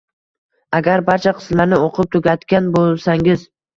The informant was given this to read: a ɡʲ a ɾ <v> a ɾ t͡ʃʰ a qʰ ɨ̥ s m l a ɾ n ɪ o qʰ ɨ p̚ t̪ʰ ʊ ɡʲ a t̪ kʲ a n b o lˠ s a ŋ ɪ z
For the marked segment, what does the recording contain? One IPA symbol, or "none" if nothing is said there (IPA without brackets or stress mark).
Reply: b